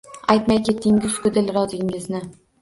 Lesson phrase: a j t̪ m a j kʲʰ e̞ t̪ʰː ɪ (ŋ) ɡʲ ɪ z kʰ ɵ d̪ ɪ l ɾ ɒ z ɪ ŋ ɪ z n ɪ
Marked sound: correct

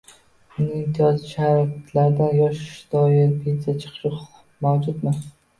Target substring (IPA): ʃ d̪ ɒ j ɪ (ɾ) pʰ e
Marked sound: correct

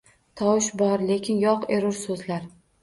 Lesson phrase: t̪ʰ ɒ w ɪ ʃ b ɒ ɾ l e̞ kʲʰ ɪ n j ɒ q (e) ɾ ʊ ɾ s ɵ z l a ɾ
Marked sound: correct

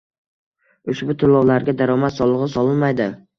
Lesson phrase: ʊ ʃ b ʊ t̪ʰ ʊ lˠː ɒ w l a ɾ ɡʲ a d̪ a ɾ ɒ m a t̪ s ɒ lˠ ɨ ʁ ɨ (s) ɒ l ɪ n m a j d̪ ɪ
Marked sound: correct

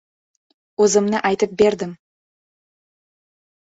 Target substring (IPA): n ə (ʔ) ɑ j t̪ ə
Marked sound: correct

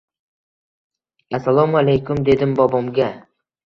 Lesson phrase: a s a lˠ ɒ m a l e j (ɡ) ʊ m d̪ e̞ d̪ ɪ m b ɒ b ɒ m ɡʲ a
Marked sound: incorrect: k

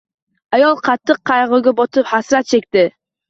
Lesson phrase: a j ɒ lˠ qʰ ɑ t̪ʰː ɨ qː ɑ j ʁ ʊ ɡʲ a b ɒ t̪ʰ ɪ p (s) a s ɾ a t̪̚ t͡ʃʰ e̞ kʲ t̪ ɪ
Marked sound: incorrect: h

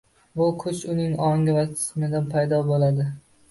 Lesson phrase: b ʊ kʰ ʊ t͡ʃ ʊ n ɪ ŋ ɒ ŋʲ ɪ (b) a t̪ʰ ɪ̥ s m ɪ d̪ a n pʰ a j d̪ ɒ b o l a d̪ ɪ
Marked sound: incorrect: v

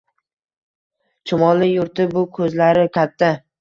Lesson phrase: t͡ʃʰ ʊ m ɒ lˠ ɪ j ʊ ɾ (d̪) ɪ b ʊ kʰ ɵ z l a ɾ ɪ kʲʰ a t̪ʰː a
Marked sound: incorrect: t̪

